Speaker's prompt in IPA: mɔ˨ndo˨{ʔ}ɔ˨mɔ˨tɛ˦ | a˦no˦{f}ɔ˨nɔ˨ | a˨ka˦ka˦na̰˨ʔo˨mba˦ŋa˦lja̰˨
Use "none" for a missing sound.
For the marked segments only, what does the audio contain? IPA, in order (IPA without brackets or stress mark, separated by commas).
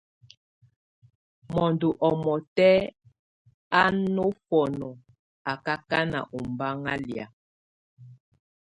ʔ, f